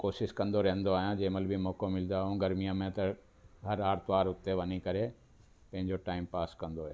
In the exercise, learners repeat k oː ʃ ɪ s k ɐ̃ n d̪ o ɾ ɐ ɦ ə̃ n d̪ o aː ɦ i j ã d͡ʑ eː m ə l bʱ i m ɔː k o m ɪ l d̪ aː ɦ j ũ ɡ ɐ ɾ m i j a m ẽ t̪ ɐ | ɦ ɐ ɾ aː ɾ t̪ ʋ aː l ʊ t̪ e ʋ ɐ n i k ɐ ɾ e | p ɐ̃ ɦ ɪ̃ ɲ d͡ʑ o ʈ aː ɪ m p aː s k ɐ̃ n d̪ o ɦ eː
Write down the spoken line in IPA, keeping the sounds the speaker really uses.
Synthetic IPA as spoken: k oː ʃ ɪ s k ɐ̃ n d̪ o ɾ ɐ ɦ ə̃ n d̪ o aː ɦ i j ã d͡ʑ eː m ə l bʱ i m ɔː k o m ɪ l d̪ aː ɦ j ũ ɡ ɐ ɾ m i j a m ẽ t̪ ɐ | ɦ ɐ ɾ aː ɾ t̪ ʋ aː ɾ ʊ t̪ e ʋ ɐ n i k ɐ ɾ e | p ɐ̃ ɦ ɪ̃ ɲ d͡ʑ o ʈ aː ɪ m p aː s k ɐ̃ n d̪ o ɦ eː